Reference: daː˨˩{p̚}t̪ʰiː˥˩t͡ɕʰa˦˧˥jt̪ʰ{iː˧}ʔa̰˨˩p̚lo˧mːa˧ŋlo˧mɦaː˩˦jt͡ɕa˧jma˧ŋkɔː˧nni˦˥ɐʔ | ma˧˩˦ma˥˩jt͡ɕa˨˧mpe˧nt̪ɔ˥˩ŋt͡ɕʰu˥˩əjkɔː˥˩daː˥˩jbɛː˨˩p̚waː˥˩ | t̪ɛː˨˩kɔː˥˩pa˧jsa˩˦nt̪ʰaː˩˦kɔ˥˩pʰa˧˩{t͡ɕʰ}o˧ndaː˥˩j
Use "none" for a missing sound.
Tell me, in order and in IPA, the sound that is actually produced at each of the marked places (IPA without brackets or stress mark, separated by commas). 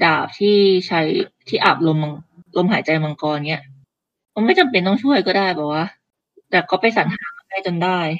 p̚, iː˥˩, t͡ɕ